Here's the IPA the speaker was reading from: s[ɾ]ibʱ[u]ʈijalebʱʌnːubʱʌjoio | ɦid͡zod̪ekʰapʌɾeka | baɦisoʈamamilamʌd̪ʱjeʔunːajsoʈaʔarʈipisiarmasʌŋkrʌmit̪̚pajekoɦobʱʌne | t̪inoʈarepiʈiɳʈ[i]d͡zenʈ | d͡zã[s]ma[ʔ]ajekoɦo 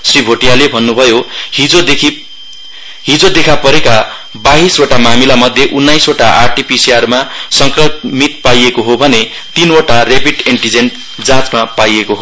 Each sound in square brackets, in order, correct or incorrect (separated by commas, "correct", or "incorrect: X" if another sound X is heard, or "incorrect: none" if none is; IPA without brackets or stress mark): incorrect: r, incorrect: o, correct, incorrect: t͡s, incorrect: p